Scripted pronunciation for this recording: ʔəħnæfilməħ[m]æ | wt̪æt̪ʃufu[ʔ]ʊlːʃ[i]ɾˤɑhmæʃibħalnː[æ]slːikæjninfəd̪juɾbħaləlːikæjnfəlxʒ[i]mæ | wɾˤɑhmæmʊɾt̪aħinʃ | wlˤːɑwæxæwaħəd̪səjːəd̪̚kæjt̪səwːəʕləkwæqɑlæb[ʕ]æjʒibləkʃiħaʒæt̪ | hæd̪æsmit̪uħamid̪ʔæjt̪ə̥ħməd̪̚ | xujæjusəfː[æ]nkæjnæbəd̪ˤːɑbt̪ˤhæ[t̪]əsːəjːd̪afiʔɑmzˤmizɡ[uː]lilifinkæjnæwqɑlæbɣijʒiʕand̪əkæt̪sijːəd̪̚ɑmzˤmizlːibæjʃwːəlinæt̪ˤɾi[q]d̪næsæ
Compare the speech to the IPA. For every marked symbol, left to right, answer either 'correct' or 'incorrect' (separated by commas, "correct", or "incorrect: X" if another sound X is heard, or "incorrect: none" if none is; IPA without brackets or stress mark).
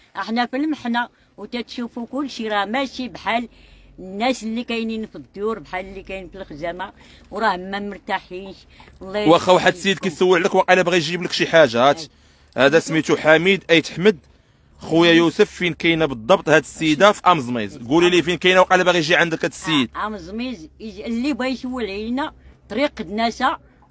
incorrect: n, incorrect: k, correct, correct, incorrect: æ, incorrect: ɣ, incorrect: i, incorrect: d̪, incorrect: u, correct